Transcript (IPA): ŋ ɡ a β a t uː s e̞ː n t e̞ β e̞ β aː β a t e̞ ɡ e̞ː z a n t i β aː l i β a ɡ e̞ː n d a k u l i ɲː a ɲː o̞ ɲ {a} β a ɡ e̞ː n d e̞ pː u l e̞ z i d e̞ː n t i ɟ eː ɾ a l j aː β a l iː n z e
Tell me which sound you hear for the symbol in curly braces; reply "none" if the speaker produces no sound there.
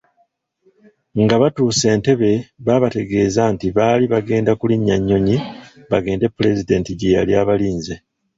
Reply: i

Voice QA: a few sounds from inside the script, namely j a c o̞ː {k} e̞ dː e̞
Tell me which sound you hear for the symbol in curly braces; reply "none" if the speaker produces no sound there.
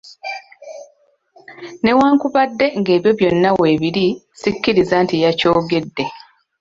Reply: ɡ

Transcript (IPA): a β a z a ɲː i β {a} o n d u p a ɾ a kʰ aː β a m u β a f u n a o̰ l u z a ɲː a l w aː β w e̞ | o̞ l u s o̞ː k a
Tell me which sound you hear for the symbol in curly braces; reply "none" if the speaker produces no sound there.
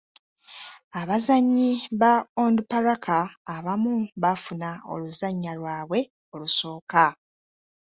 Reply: a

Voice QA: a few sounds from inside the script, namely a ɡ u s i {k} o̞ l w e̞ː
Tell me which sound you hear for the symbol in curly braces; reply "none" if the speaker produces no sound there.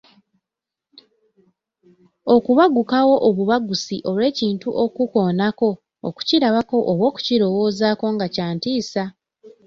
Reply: ʔ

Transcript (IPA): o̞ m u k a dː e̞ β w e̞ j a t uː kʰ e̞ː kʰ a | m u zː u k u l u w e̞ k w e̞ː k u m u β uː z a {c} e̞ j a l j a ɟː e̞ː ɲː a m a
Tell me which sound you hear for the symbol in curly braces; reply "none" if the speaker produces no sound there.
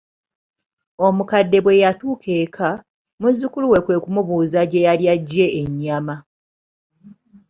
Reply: ɟ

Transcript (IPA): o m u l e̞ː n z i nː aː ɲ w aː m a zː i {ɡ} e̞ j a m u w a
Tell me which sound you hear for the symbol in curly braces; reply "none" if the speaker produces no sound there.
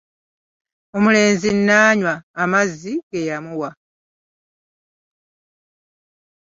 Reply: ɡ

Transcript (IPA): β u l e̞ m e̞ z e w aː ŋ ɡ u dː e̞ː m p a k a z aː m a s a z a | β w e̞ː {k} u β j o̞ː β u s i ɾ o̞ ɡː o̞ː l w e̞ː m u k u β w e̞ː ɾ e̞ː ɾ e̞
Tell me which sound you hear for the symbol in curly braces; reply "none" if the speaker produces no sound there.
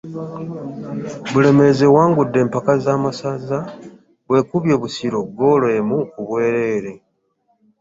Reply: k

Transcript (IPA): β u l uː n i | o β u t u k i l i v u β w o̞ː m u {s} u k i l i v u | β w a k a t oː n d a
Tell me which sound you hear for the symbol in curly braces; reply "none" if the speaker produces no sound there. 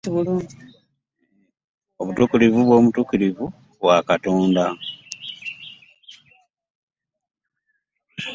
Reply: t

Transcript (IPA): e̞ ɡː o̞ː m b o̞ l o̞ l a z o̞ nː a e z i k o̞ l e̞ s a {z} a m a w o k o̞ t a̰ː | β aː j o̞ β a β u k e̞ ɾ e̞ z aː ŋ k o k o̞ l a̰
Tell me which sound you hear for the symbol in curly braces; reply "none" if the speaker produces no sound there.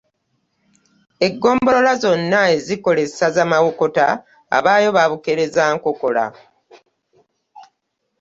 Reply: z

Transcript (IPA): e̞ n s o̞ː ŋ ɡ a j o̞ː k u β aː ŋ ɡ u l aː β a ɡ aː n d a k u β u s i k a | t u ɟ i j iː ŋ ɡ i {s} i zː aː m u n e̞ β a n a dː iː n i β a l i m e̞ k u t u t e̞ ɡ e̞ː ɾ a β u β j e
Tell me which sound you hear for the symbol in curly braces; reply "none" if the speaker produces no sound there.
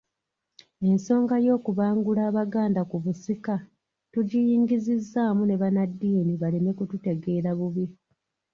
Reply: z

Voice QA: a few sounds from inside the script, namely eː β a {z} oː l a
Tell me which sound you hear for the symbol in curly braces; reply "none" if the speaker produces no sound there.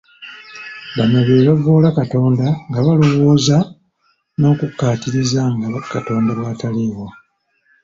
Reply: v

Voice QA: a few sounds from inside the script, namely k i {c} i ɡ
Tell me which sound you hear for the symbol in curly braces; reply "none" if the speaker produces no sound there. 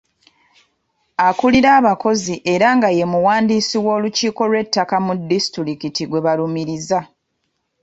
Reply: t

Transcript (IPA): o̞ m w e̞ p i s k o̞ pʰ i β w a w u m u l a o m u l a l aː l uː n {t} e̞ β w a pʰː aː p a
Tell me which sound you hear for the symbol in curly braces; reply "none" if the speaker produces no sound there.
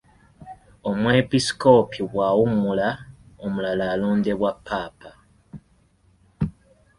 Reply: d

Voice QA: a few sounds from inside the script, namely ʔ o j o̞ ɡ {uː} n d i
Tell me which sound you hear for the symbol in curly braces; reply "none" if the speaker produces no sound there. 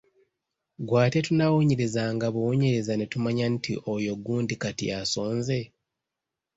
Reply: uː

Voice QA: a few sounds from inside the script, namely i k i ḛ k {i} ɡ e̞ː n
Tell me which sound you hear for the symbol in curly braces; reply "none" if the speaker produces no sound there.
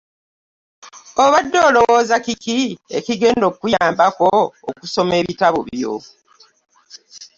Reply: i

